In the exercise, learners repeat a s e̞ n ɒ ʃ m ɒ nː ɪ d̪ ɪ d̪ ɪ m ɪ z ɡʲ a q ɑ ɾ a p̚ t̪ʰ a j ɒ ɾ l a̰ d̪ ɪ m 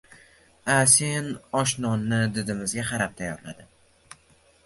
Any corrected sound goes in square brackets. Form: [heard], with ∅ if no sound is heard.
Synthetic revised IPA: a s e̞ n ɒ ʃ [n] ɒ nː ɪ d̪ ɪ d̪ ɪ m ɪ z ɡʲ a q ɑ ɾ a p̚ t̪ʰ a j ɒ ɾ l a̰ d̪ ɪ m